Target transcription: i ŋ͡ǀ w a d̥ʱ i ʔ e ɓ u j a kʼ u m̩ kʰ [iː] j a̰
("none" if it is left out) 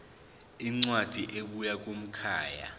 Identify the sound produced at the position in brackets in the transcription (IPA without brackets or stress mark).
aː